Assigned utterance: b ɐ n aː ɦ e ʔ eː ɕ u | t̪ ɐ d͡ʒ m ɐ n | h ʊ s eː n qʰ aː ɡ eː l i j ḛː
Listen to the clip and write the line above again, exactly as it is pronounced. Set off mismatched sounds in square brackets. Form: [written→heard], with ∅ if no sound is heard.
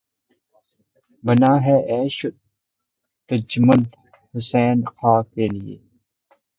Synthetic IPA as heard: b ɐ n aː ɦ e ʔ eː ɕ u | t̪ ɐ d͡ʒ m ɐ n | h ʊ s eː n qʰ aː [ɡ→k] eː l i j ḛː